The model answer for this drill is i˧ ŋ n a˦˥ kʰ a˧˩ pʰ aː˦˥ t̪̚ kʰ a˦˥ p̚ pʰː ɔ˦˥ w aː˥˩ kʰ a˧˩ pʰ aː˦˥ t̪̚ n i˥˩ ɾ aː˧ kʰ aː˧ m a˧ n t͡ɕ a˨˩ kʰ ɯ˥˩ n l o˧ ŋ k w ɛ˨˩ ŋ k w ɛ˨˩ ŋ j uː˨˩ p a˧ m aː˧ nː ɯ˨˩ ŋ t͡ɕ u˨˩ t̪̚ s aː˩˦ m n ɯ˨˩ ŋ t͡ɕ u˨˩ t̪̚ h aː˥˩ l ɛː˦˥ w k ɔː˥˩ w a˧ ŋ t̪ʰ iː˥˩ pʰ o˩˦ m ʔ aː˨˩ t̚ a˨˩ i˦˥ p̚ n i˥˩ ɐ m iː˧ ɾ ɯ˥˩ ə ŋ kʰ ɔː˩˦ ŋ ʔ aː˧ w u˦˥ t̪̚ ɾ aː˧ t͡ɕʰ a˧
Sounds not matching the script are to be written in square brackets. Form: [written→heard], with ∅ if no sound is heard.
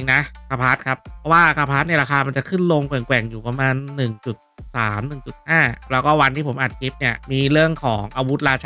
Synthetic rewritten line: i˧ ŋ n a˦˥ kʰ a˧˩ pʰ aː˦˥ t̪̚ kʰ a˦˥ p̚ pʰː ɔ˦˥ w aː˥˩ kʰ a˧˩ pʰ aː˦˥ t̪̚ n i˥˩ ɾ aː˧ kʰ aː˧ m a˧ n t͡ɕ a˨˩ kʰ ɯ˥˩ n l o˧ ŋ k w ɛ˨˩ ŋ k w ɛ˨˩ ŋ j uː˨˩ p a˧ m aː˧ nː ɯ˨˩ ŋ t͡ɕ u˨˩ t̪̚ s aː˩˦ m n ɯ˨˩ ŋ t͡ɕ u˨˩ t̪̚ h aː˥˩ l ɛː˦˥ w k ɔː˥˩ w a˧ [ŋ→n] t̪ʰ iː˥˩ pʰ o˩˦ m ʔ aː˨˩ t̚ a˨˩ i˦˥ p̚ n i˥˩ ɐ m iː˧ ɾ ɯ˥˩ ə ŋ kʰ ɔː˩˦ ŋ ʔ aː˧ w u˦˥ t̪̚ ɾ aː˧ t͡ɕʰ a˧